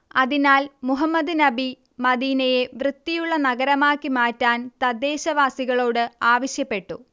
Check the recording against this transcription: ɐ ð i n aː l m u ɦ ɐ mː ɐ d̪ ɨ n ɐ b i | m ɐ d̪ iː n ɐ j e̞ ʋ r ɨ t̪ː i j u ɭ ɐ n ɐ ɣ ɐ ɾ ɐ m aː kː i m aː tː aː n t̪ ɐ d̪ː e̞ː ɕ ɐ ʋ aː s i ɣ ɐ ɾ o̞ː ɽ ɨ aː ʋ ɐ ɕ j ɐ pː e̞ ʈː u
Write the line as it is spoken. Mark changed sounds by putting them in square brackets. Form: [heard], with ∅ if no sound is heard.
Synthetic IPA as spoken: ɐ ð i n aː l m u ɦ ɐ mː ɐ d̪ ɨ n ɐ b i | m ɐ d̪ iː n ɐ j e̞ ʋ r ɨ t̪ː i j u [ɭː] ɐ n ɐ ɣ ɐ ɾ ɐ m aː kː i m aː tː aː n t̪ ɐ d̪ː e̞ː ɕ ɐ ʋ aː s i ɣ ɐ [ɭ] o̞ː ɽ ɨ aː ʋ ɐ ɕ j ɐ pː e̞ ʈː u